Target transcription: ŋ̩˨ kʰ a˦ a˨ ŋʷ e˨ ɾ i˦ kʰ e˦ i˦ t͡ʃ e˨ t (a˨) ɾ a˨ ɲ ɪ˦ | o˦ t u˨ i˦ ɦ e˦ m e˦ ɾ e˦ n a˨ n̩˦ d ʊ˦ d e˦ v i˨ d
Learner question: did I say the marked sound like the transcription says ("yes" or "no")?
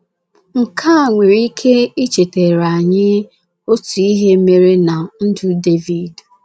no